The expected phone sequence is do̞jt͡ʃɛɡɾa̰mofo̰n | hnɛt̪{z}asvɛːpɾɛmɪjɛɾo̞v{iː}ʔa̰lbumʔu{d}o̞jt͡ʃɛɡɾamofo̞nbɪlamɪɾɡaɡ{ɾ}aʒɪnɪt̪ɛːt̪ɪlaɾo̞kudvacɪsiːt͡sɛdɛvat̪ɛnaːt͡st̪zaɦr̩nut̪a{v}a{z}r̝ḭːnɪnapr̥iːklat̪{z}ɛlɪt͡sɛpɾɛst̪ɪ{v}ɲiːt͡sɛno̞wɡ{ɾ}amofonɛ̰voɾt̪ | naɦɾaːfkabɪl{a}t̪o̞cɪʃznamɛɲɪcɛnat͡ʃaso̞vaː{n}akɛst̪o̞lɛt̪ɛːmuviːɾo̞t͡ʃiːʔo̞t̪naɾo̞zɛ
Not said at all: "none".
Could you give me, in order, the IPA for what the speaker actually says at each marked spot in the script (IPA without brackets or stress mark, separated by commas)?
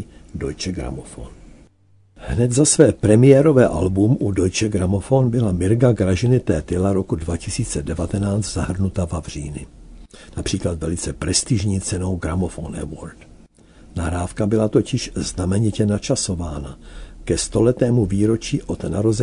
z, ɛː, d, ɾ, v, v, v, ʒ, ɾ, a, n